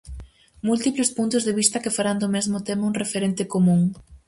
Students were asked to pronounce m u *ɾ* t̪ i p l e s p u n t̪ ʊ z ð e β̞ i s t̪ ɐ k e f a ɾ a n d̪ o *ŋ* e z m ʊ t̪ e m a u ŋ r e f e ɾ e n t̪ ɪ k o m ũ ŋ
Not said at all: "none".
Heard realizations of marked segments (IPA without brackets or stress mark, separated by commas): l, m